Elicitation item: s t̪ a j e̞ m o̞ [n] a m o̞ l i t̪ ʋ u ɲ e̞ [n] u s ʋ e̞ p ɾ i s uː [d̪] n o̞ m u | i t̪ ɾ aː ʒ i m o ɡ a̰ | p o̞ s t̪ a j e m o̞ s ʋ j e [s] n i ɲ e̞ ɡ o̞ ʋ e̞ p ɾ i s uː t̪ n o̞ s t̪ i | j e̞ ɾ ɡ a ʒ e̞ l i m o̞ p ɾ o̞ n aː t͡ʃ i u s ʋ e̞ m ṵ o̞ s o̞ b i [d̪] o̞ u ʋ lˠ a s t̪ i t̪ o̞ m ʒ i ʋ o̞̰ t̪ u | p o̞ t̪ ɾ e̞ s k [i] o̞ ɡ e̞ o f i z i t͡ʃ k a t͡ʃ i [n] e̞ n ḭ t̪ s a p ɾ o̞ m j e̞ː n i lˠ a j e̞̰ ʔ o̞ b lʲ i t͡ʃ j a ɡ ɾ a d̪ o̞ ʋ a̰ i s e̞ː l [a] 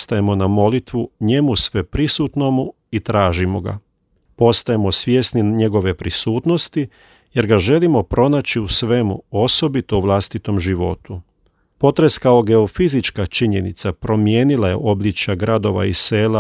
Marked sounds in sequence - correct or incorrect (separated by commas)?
correct, incorrect, incorrect, correct, incorrect, incorrect, incorrect, correct